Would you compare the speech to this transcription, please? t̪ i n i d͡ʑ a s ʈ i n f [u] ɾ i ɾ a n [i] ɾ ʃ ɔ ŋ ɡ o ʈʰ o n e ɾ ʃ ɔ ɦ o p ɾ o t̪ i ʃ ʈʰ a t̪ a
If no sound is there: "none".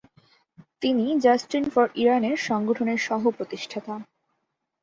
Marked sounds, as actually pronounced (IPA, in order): ɔ, e

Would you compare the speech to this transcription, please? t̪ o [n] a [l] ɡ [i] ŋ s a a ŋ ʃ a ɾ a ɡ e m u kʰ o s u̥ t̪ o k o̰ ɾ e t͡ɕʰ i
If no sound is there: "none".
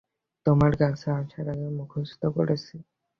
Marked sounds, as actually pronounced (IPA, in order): m, ɾ, a

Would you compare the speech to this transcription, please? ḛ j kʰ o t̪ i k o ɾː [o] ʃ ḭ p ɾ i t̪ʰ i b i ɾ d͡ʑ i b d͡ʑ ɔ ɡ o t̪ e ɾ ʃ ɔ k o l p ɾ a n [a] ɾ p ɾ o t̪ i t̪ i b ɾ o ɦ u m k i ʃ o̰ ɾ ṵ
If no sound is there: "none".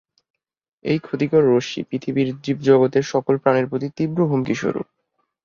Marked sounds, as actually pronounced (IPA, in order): o, e

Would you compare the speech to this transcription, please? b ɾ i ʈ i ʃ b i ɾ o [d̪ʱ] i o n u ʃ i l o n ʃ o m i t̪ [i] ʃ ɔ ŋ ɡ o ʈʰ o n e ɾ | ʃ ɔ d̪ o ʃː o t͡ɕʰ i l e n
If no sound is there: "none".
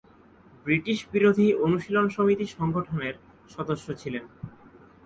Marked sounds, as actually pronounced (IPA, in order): d̪ʱ, i

